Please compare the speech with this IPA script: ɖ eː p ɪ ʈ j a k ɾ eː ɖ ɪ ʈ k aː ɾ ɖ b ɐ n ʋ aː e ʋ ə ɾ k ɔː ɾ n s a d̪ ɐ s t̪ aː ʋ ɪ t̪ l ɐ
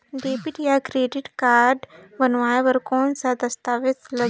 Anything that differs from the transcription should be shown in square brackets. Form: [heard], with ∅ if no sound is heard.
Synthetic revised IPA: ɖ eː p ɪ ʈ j a k ɾ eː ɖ ɪ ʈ k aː ɾ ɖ b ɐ n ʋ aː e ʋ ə ɾ k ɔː [∅] n s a d̪ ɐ s t̪ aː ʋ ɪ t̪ l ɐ